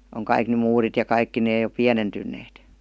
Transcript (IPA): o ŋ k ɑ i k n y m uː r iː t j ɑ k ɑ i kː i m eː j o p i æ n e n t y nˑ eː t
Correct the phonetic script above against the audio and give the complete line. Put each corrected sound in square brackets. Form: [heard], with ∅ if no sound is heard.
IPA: o ŋ k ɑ i k n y m uː r [i] t j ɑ k ɑ i kː i [n] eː j o p i æ n e n t y nˑ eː t